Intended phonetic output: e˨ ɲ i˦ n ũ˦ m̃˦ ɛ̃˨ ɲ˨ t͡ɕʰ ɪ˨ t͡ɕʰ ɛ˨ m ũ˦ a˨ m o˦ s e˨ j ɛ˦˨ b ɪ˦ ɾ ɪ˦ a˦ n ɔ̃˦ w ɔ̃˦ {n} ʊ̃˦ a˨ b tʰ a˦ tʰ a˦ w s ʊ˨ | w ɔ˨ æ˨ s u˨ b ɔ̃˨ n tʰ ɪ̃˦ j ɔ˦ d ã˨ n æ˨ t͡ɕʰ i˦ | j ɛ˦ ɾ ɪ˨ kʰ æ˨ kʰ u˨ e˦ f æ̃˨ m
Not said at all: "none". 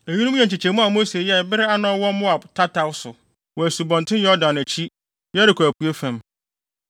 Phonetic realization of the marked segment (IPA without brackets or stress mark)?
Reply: m